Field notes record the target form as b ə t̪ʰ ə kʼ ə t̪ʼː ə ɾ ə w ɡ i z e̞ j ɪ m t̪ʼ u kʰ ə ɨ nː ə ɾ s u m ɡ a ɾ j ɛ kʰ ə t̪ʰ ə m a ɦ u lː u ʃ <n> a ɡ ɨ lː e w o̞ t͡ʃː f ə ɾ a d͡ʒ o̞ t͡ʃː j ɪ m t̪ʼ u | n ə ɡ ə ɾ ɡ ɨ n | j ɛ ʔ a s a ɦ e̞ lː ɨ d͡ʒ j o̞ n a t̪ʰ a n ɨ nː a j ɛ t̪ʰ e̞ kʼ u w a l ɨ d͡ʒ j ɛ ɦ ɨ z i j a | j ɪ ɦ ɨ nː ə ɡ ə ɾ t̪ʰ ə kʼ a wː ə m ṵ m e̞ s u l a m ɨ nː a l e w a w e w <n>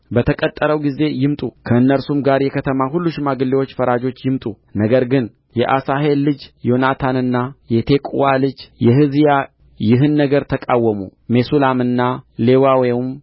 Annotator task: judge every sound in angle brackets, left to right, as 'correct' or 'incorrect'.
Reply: incorrect, incorrect

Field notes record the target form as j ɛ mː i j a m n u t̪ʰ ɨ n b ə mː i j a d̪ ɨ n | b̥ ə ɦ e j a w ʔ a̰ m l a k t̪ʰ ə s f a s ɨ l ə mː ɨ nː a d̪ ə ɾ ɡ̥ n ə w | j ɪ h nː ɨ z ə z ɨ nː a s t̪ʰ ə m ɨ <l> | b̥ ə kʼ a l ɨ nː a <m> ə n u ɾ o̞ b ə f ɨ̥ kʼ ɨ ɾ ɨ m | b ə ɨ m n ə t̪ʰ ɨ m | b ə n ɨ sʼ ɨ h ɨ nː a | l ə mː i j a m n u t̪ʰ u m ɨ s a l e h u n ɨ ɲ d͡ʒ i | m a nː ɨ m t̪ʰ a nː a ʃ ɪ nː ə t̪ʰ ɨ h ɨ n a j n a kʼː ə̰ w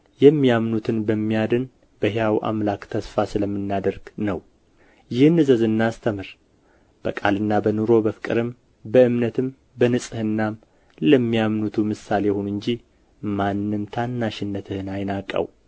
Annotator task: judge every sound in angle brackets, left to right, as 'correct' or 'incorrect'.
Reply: incorrect, incorrect

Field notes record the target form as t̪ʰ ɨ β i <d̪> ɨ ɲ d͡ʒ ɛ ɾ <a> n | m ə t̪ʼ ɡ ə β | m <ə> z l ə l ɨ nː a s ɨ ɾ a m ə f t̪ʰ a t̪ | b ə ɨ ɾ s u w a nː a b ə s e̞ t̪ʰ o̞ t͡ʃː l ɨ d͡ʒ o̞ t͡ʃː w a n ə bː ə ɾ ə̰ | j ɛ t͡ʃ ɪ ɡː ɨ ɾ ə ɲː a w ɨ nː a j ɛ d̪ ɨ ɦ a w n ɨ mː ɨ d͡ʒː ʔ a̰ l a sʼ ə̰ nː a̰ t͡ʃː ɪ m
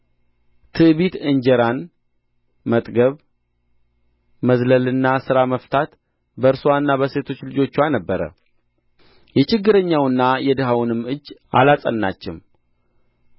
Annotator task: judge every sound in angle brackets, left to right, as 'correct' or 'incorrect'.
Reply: incorrect, correct, correct

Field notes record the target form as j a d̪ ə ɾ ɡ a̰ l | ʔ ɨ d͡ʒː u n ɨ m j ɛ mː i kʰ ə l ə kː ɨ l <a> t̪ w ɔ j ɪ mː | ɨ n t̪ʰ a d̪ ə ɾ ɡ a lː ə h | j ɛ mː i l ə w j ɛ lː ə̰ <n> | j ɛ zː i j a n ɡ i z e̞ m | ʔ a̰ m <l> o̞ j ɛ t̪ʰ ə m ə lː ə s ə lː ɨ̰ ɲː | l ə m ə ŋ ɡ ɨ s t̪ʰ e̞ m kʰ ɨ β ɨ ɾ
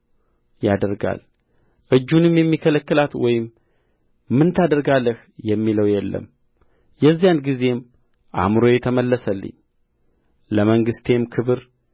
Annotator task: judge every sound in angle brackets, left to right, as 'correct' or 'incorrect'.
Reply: correct, incorrect, incorrect

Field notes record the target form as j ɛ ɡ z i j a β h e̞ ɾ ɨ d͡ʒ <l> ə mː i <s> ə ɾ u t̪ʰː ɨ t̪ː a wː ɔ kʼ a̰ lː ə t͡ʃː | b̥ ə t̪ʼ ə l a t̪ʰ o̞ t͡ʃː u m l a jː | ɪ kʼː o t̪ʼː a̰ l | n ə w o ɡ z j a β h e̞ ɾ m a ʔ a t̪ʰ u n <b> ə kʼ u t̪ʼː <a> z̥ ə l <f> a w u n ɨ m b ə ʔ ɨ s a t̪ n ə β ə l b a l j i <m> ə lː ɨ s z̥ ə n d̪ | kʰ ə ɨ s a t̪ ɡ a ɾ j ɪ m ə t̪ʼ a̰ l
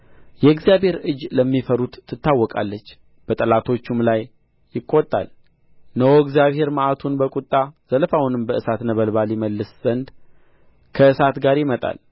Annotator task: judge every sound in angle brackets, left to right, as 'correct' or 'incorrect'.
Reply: correct, incorrect, correct, correct, correct, correct

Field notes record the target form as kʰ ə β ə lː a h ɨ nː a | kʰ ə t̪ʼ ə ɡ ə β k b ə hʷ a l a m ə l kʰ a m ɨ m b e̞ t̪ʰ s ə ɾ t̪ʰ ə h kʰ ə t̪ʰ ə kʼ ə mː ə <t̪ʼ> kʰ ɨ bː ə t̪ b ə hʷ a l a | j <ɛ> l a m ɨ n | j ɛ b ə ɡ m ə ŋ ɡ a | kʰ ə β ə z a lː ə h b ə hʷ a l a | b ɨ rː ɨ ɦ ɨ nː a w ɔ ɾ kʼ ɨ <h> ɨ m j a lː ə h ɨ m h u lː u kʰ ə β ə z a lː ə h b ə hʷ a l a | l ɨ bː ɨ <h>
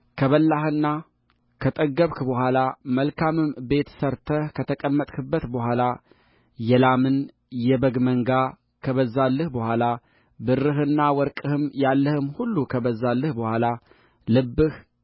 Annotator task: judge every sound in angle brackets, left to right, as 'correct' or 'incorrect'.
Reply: correct, correct, correct, correct

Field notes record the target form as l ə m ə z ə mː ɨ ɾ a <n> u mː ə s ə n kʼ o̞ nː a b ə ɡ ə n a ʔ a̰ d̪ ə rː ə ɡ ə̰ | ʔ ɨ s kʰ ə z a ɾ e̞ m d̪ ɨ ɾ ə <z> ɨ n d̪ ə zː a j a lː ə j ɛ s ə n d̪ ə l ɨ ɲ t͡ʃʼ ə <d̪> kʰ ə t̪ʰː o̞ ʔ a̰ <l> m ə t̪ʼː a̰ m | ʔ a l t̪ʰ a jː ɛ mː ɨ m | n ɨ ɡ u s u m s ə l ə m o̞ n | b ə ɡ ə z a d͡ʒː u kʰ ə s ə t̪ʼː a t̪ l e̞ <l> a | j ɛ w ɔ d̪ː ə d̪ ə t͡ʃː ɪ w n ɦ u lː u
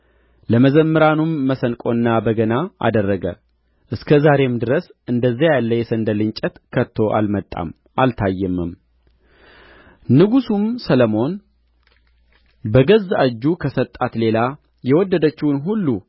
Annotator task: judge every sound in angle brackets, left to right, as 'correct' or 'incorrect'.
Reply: correct, incorrect, incorrect, correct, correct

